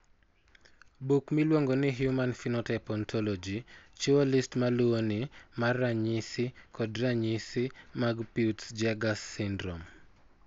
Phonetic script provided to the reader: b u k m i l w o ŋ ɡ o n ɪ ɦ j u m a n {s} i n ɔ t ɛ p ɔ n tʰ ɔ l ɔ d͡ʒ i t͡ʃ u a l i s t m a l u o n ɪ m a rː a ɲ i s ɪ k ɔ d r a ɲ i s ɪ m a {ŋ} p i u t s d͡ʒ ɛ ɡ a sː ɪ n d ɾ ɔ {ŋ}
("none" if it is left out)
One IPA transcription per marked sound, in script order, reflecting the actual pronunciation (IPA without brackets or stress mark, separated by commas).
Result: f, ɡ, m